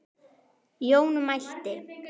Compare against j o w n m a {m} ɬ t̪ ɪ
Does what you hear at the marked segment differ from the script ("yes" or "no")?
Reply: yes